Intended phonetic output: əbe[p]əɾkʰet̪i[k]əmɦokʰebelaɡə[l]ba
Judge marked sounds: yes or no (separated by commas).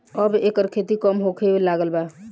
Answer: no, yes, yes